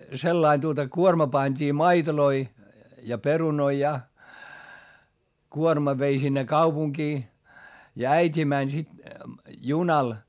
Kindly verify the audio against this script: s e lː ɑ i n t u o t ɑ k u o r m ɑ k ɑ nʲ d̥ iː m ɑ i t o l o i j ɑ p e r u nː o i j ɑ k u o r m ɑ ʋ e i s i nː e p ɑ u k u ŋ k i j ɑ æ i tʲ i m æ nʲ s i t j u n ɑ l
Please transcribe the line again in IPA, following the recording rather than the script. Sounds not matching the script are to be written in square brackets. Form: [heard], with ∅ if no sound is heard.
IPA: s e lː ɑ i n t u o t ɑ k u o r m ɑ [p] ɑ nʲ d̥ iː m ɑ i t o l o i j ɑ p e r u [n] o i j ɑ k u o r m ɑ ʋ e i s i nː e [k] ɑ u [p] u ŋ k [iː] j ɑ æ i tʲ i m æ nʲ s i t j u n ɑ l